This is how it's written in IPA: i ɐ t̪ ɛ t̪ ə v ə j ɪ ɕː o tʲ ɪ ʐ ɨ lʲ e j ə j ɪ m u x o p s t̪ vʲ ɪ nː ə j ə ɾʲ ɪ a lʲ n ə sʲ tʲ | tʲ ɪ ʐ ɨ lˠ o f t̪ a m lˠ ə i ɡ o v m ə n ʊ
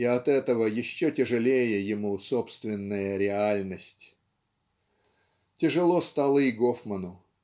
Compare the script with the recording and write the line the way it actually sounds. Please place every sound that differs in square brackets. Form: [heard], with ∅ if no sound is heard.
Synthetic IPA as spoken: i ɐ t̪ ɛ t̪ ə v ə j ɪ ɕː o tʲ ɪ ʐ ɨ lʲ e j ə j ɪ m u [s] o p s t̪ vʲ ɪ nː ə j ə ɾʲ ɪ a lʲ n ə sʲ tʲ | tʲ ɪ ʐ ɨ lˠ o [s] t̪ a [∅] lˠ ə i ɡ o [f] m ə n ʊ